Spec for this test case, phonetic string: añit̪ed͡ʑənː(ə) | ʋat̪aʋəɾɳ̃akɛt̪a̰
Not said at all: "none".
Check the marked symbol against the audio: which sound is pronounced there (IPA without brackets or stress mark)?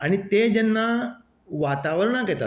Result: a